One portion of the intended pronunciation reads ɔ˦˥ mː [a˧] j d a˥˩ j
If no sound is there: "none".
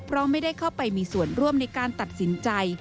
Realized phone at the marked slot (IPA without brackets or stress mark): a˥˩